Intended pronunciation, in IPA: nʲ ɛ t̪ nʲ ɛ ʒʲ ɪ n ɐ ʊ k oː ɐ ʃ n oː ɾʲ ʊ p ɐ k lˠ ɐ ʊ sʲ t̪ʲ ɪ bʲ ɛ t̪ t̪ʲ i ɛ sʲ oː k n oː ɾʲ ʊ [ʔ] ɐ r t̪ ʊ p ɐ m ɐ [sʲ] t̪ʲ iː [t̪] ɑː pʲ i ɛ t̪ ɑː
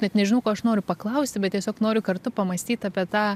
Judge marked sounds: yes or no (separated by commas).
no, yes, yes